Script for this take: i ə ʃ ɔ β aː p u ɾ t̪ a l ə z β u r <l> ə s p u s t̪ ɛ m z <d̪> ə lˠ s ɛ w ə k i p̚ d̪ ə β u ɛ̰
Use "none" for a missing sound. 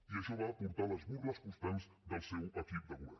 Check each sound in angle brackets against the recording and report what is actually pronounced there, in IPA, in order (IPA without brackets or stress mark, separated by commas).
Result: l, d̪